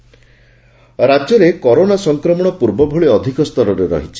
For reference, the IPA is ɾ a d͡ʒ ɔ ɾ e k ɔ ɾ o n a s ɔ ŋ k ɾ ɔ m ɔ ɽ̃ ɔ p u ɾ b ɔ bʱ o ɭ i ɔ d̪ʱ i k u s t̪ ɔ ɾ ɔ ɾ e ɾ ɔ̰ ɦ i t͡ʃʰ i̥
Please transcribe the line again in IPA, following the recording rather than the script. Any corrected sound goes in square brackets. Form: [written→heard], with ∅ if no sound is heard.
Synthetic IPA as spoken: ɾ a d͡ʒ ɔ ɾ e k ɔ ɾ o n a s ɔ ŋ k ɾ ɔ m ɔ ɽ̃ ɔ p u ɾ b ɔ bʱ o ɭ i ɔ d̪ʱ i k [u→ɔ] s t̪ ɔ ɾ ɔ ɾ e ɾ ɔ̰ ɦ i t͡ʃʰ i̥